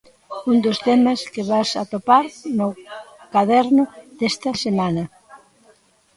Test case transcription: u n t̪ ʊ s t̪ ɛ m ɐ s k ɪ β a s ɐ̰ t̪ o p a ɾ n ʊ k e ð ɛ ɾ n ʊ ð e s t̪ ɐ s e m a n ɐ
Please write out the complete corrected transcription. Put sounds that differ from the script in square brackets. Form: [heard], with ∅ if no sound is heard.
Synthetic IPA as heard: u n [d̪] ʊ s t̪ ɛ m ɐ s k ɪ β a s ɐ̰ t̪ o p a ɾ n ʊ k [a] ð ɛ ɾ n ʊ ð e s t̪ ɐ s e m a n ɐ